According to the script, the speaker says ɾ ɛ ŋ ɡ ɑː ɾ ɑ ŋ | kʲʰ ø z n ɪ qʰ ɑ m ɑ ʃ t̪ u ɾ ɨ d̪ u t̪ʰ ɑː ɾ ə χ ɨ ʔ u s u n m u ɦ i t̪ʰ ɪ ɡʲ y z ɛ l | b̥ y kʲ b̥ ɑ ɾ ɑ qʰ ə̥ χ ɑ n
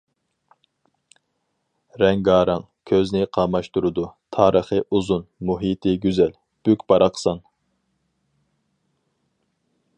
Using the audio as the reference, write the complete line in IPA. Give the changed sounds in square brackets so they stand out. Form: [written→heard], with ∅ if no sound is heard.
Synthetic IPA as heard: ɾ ɛ ŋ ɡ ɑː ɾ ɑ ŋ | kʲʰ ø z n ɪ qʰ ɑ m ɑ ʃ t̪ u ɾ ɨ d̪ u t̪ʰ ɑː ɾ ə χ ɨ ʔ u [s→z] u n m u ɦ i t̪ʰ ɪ ɡʲ y z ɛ l | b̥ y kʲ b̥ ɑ ɾ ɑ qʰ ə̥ [χ→s] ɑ n